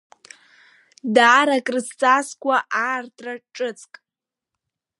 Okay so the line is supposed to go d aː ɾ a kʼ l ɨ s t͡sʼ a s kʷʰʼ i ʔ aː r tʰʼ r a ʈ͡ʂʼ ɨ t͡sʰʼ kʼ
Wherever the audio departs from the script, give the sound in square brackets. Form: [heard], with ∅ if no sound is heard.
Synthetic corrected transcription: d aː ɾ a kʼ [r] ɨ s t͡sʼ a s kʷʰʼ [a] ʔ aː r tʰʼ r a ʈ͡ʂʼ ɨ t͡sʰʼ kʼ